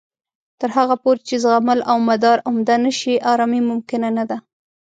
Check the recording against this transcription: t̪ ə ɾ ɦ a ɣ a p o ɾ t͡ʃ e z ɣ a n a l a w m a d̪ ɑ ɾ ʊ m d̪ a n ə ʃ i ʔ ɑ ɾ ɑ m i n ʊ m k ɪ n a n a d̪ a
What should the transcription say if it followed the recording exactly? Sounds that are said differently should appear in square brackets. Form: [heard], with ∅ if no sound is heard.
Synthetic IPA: t̪ ə ɾ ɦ a ɣ a p o ɾ t͡ʃ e z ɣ a [m] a l a w m a d̪ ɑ ɾ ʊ m d̪ a n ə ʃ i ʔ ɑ ɾ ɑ m i [m] ʊ m k ɪ n a n a d̪ a